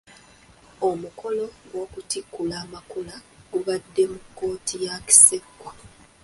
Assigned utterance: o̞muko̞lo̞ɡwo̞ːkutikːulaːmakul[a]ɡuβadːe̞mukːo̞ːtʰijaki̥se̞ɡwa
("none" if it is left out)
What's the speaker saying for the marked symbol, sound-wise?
a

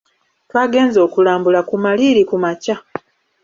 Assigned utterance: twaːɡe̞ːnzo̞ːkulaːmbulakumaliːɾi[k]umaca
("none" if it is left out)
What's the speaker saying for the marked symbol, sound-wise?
k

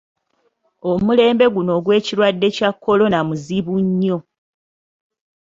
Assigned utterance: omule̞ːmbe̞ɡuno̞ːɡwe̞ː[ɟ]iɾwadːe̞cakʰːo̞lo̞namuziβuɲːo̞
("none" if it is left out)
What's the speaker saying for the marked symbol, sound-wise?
c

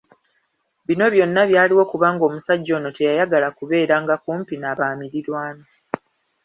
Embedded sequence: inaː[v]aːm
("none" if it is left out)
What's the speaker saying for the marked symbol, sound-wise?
β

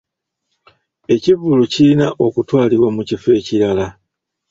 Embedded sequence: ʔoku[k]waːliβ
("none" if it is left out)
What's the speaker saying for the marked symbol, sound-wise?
t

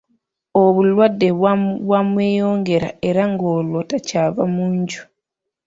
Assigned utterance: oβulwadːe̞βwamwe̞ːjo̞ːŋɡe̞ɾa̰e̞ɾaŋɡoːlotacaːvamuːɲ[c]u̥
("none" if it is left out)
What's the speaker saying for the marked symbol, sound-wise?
ɟ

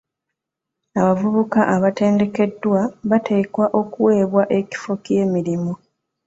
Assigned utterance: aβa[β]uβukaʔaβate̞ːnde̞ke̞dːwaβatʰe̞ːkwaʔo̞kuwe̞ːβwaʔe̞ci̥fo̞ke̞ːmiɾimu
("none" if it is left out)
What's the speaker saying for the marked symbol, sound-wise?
v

